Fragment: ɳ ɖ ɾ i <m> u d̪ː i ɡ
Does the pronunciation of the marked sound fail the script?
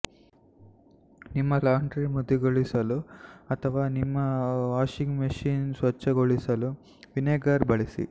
no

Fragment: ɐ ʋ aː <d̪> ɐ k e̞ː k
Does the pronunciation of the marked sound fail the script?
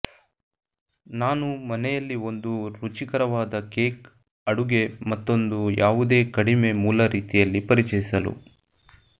no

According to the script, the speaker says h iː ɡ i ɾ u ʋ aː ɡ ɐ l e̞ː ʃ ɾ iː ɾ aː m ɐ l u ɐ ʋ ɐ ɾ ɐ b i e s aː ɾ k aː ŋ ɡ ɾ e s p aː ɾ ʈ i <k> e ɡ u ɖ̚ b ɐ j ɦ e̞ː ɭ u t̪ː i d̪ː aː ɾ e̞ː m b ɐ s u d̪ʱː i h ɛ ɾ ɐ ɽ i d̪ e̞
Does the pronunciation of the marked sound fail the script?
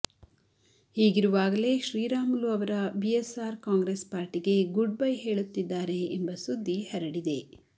yes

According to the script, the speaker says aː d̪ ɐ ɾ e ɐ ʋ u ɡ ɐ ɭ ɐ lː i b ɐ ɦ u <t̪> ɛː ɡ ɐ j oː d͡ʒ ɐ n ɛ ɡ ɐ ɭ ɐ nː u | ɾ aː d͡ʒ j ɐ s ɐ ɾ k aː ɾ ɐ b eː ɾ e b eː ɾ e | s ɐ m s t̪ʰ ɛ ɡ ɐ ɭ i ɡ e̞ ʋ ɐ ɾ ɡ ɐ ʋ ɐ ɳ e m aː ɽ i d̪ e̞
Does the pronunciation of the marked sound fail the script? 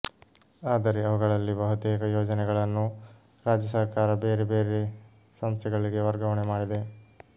no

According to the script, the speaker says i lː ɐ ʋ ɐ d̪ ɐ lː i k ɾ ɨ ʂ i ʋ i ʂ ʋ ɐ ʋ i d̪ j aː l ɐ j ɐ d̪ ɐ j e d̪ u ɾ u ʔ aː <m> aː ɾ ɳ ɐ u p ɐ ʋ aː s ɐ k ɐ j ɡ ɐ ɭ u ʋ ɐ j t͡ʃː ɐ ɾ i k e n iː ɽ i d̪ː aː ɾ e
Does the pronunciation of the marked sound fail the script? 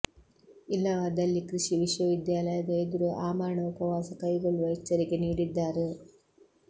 no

